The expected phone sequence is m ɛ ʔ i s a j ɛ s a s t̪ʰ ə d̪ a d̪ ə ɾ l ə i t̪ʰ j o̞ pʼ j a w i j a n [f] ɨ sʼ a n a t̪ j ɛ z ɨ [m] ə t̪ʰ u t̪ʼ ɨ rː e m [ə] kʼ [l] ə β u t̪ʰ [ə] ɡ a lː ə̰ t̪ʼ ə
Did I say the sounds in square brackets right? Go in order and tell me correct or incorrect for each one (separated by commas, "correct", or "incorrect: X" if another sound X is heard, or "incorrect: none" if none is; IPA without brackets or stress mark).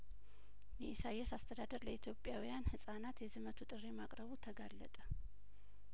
incorrect: h, correct, incorrect: a, incorrect: ɾ, correct